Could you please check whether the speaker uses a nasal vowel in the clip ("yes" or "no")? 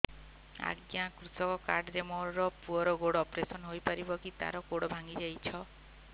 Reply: no